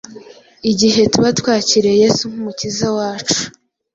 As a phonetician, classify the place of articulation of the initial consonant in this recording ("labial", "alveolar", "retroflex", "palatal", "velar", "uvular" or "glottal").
palatal